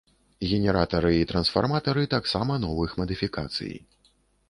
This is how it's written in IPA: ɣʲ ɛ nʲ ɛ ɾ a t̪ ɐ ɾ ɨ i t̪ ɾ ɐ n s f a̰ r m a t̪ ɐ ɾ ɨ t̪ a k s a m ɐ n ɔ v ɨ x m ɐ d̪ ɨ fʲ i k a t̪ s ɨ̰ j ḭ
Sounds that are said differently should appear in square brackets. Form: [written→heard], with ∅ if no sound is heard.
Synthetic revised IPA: ɣʲ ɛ nʲ ɛ ɾ a t̪ ɐ ɾ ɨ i t̪ ɾ ɐ n s f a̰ r m a t̪ ɐ ɾ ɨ t̪ a k s a m ɐ n ɔ v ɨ x m ɐ d̪ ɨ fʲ i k a t̪ s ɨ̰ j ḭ